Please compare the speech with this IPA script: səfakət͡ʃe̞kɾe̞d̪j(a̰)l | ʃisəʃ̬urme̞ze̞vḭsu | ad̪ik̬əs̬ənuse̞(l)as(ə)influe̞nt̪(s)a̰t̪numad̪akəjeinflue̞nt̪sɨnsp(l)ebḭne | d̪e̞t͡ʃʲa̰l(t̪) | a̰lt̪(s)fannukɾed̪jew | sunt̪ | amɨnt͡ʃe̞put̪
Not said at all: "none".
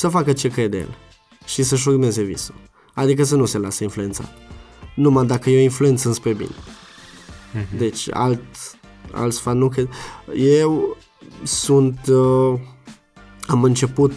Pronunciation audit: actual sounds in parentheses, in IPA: ḛ, l, ə, s, ɾ, t̪, s

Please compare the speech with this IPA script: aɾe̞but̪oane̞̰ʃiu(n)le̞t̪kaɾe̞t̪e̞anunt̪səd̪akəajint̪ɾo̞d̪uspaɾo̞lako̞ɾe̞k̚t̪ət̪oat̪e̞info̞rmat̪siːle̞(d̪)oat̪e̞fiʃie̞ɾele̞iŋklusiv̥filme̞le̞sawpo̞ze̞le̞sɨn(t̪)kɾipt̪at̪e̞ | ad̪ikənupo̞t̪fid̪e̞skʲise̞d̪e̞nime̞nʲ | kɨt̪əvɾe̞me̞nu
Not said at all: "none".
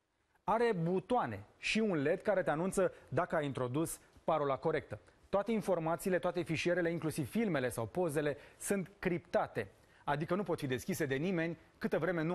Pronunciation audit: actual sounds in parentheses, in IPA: n, t̪, t̪

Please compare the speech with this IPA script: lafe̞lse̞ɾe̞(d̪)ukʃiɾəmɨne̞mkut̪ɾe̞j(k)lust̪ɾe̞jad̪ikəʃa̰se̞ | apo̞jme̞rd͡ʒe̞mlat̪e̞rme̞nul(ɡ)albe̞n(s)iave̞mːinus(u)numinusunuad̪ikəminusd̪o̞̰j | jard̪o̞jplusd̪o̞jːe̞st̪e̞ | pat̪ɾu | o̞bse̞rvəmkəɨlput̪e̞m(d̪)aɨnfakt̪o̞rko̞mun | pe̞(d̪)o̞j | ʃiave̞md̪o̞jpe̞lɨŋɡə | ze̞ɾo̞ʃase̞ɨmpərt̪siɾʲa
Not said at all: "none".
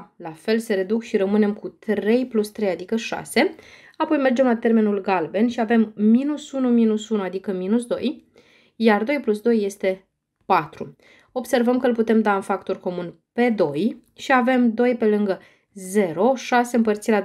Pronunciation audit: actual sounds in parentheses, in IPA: d̪, p, ɡ, ʃ, u, d̪, d̪

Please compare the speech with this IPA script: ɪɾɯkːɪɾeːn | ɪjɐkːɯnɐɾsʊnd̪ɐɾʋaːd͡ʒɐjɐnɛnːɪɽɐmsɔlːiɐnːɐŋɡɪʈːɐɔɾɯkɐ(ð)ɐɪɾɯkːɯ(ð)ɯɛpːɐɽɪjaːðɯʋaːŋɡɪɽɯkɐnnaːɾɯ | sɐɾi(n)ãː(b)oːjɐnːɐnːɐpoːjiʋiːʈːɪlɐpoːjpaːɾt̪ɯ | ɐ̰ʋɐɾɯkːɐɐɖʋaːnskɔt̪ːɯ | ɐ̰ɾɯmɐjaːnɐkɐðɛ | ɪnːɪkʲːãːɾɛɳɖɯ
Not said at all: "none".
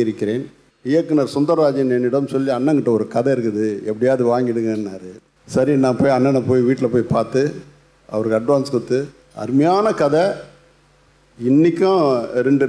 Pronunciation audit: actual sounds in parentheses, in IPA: ð, ð, n, p

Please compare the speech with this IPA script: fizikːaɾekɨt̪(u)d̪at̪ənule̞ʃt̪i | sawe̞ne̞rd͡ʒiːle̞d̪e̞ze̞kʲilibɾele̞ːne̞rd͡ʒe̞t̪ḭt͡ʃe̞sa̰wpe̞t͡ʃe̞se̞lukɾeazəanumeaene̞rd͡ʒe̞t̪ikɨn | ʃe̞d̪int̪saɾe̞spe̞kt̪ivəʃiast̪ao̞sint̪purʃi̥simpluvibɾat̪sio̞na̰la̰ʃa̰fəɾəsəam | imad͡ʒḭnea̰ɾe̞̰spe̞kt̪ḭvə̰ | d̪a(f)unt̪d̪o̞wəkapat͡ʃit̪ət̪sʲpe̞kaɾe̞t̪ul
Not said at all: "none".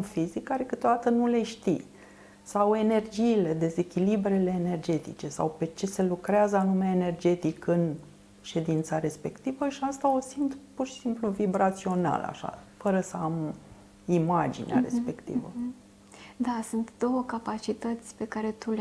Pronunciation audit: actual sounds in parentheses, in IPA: o, s

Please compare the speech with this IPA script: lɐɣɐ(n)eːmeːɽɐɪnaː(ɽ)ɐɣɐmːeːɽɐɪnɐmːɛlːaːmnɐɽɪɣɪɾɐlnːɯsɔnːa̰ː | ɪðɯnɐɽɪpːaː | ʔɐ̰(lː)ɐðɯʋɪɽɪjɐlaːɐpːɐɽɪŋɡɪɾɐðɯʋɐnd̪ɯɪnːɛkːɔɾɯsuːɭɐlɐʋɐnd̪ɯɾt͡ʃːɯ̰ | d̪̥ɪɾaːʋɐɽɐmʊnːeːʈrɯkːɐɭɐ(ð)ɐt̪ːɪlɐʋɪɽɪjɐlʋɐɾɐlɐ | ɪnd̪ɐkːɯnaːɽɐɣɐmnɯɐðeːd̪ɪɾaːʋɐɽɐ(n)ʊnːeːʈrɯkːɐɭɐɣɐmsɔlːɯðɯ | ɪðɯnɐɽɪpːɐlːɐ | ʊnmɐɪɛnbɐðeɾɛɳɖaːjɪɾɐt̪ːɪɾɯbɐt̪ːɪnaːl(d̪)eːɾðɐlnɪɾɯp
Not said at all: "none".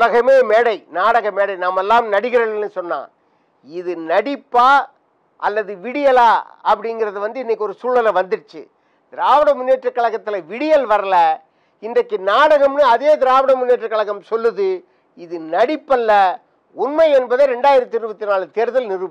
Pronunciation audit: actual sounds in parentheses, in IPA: m, ɽ, lː, ɣ, m, t̪

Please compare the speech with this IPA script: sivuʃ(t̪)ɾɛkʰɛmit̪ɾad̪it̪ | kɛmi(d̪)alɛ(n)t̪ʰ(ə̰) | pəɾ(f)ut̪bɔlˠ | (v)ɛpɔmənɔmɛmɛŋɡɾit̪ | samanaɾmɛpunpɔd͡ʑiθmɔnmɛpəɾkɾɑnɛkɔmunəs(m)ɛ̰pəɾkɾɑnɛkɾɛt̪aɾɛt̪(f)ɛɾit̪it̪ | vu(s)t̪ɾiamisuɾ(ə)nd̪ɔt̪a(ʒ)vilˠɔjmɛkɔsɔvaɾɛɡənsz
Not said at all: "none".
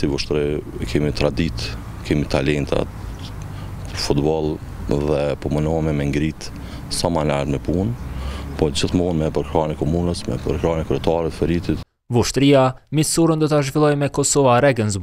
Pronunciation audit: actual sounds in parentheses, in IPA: t̪, t̪, n, a̰, f, ð, m, f, ʃ, ə, ʒ

